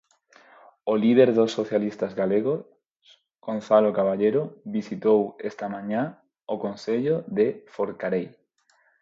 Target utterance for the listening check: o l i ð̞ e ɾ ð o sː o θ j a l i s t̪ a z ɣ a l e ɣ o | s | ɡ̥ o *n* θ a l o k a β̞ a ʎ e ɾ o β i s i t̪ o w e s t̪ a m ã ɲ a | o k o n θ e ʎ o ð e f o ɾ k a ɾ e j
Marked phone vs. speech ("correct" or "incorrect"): correct